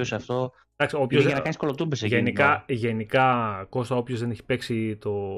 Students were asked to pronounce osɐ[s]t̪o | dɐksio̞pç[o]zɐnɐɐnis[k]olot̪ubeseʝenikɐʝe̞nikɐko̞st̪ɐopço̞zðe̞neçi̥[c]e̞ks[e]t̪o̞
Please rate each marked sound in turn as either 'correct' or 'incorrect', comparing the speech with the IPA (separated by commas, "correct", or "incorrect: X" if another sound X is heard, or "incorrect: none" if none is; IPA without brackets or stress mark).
incorrect: f, correct, correct, incorrect: p, incorrect: i